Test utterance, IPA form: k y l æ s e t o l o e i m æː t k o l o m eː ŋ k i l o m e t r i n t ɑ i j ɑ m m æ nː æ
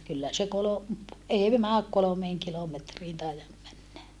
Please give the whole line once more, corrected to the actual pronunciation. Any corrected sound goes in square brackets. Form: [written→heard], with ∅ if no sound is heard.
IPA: k y [l→lː] æ s e [t→k] o l o e i m æː [t→k] k o l o m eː ŋ k i l o m e t r [i→iː] n t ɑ i j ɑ m m æ nː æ